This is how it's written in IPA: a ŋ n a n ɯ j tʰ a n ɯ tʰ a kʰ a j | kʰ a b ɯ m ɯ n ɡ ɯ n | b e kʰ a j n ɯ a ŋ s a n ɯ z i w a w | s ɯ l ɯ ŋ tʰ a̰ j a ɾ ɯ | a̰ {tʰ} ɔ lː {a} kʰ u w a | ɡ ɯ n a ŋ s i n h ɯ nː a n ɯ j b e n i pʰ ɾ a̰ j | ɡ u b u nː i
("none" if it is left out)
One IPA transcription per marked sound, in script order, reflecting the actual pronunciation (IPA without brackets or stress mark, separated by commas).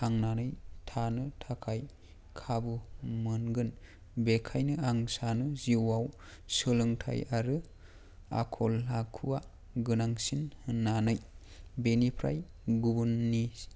kʰ, a